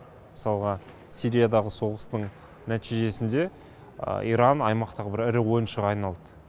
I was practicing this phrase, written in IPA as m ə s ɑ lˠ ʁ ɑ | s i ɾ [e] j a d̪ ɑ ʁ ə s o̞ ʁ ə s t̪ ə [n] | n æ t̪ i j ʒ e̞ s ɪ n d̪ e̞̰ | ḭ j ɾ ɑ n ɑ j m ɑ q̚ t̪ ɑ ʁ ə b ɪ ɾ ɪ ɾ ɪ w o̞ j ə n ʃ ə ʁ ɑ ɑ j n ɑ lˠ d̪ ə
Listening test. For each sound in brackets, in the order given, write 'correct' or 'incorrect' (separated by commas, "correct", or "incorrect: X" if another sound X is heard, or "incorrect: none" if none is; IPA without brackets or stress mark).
incorrect: i, incorrect: ɴ